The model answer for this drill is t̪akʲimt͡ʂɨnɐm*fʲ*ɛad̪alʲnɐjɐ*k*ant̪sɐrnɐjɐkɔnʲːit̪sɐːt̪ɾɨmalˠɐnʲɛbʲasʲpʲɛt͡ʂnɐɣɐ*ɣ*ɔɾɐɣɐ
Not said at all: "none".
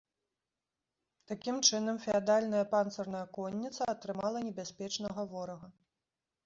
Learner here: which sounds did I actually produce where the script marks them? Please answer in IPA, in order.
fʲ, p, v

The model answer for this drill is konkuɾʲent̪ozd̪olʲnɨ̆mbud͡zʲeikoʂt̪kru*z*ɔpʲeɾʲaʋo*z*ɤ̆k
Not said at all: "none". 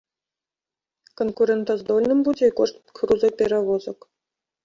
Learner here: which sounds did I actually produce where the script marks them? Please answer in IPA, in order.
z, z

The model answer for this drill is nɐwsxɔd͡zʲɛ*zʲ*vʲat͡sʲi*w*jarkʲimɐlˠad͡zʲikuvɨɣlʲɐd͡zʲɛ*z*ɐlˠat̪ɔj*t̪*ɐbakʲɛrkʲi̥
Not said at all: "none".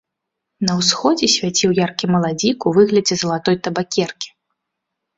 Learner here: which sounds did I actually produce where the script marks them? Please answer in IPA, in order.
sʲ, w, z, t̪

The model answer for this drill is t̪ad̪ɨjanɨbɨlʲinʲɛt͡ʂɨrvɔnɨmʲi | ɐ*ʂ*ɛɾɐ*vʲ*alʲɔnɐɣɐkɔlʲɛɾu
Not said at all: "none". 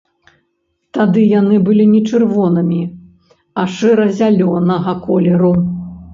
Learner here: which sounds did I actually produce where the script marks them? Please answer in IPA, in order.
ʂ, zʲ

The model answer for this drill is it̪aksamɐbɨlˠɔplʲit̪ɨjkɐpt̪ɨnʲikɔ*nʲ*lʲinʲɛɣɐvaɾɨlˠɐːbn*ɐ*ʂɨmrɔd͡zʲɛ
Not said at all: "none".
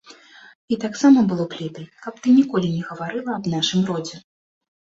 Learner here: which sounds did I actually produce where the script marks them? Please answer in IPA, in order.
none, a

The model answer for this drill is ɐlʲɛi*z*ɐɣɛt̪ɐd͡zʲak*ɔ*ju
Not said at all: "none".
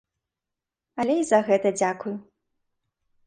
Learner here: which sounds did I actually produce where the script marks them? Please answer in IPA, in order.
z, u

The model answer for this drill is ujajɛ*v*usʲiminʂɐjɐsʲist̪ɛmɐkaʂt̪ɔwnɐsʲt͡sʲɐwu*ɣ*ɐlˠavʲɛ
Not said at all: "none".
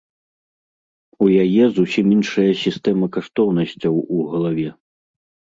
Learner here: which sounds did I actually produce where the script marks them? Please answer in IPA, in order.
z, ɣ

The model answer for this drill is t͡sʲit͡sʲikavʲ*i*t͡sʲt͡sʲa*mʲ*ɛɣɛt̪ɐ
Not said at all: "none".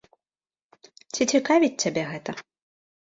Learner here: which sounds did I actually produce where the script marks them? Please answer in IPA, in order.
i, bʲ

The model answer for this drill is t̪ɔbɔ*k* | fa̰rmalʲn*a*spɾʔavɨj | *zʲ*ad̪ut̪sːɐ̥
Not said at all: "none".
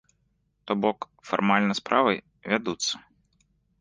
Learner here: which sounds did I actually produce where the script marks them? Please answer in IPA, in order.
k, ɐ, vʲ

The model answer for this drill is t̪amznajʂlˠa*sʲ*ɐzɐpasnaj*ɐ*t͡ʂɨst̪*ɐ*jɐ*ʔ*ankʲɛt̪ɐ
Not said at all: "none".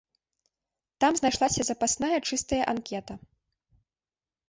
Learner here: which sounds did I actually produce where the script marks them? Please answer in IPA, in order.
sʲ, ɐ, ɐ, ʔ

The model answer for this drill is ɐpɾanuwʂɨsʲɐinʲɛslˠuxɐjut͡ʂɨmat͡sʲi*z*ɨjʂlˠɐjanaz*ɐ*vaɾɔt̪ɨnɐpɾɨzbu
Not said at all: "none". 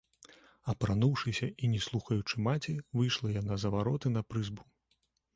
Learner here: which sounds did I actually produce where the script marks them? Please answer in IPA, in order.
v, ɐ

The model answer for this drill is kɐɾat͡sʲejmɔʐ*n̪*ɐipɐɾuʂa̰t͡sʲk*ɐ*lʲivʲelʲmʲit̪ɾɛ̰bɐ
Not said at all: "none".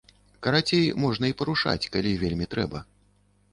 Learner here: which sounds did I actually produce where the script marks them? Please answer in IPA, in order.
n̪, a

